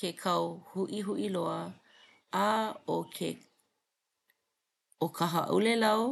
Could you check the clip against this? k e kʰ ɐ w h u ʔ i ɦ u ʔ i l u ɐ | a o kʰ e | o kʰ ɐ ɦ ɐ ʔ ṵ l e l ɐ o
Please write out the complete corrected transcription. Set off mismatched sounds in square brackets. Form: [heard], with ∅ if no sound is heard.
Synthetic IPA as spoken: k e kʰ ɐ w h u ʔ i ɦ u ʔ i l [o] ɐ | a o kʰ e | o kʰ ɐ ɦ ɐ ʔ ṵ l e l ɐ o

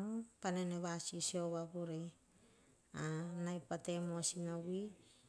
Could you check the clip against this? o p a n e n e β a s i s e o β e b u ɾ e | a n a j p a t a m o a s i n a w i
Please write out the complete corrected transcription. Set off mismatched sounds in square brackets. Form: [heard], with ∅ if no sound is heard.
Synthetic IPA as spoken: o p a n e n e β a s i s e o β [a] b u ɾ e | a n a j p a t [e] m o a s i n a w i

